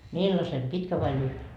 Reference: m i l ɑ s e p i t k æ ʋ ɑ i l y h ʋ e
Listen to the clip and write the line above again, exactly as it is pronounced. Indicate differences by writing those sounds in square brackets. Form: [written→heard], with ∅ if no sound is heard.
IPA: m i [l→lː] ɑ s e p i t k æ ʋ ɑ i l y h ʋ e